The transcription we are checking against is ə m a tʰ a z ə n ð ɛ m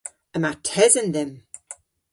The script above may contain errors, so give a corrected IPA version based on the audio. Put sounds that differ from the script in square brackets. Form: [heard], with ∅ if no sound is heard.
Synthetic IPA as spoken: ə m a tʰ [ɛ] z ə n ð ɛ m